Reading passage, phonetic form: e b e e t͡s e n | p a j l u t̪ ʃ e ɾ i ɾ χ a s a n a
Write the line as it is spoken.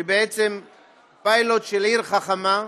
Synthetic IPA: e b e e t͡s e m | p a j l o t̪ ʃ e l i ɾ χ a χ a m a